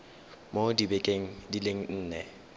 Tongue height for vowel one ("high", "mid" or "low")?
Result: mid